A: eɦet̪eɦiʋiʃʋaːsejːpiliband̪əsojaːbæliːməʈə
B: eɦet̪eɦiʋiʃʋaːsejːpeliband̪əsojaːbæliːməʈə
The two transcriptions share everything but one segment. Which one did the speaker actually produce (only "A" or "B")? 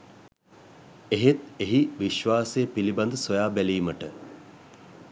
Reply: A